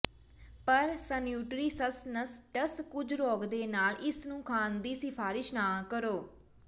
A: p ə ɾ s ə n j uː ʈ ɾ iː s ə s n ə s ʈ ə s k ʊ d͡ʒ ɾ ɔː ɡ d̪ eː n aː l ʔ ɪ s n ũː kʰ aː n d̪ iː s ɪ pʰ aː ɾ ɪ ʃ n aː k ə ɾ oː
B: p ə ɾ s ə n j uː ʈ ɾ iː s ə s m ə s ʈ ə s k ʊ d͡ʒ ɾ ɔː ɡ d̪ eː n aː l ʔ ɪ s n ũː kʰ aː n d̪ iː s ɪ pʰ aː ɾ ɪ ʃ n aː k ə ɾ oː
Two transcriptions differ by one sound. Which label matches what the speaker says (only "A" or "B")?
A